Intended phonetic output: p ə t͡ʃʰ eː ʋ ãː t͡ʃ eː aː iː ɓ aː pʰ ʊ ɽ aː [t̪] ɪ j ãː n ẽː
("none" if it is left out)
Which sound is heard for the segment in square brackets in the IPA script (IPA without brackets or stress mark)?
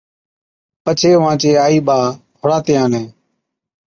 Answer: t̪